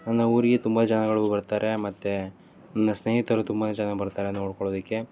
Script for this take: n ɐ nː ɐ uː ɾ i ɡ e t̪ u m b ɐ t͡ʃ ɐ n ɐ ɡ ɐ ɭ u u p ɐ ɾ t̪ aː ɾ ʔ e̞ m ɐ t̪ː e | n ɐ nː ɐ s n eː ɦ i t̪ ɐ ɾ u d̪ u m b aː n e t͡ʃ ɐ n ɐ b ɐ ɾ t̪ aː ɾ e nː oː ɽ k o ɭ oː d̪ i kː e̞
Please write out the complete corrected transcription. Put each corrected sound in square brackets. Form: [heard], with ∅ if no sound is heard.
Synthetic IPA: n ɐ nː ɐ uː ɾ i ɡ e t̪ u m b ɐ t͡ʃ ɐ n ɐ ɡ ɐ ɭ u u [b] ɐ ɾ t̪ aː ɾ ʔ e̞ m ɐ t̪ː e | n ɐ nː ɐ s n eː ɦ i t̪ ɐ ɾ u [t̪] u m b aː n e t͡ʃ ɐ n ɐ b ɐ ɾ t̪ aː ɾ e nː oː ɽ k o ɭ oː d̪ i kː e̞